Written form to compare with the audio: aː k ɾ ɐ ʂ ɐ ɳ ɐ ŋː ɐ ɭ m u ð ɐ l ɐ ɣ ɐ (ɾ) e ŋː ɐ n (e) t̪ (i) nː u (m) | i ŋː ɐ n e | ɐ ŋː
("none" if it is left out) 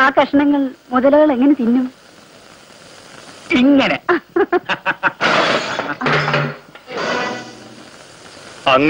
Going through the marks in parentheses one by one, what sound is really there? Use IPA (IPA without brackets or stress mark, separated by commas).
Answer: ɭ, e, i, m